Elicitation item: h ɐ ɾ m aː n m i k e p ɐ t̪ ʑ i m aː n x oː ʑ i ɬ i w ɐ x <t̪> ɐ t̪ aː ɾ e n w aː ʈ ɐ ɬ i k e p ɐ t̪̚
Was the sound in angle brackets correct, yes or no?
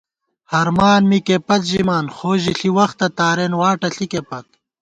yes